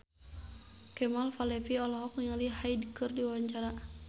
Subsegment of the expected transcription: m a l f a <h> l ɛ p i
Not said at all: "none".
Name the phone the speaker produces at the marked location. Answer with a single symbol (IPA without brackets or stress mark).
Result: none